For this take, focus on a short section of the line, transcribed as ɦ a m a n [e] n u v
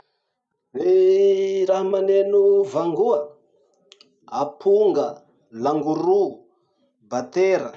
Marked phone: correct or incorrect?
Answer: correct